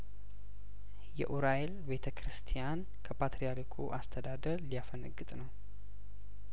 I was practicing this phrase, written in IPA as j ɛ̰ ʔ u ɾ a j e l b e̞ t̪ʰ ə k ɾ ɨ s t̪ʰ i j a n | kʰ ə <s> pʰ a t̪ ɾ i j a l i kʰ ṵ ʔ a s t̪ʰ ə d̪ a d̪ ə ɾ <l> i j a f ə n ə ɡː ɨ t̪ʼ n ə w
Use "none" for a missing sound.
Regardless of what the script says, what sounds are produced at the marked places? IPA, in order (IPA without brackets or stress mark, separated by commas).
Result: none, l